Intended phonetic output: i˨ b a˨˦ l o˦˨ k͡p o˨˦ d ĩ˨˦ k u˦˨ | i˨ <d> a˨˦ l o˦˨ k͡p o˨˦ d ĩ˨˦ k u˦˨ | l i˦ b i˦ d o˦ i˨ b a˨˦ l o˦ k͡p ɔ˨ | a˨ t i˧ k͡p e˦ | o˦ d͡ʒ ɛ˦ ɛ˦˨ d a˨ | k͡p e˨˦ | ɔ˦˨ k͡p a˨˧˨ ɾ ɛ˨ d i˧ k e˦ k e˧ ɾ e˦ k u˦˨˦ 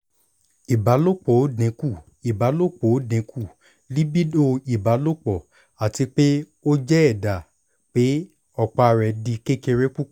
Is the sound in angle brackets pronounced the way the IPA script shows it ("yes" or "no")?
no